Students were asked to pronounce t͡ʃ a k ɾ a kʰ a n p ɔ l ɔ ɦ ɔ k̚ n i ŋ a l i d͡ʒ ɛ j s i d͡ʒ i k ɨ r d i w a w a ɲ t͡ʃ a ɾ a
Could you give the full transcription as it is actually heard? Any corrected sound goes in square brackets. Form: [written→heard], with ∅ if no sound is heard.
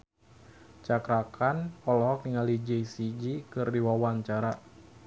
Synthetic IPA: t͡ʃ a k ɾ a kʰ a n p ɔ l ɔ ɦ ɔ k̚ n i ŋ a l i d͡ʒ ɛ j s i d͡ʒ i k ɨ r d i w a w a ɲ t͡ʃ a ɾ a